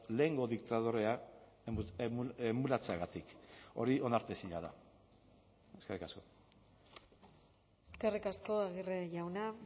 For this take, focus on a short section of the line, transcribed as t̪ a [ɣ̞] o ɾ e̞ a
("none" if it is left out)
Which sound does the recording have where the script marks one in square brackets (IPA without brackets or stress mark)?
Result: ð̞